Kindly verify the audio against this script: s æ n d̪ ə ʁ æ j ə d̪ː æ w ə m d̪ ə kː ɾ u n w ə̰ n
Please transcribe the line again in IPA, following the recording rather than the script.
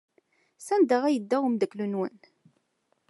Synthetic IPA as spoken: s æ n d̪ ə ʁ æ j ə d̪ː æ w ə m d̪ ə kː l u n w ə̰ n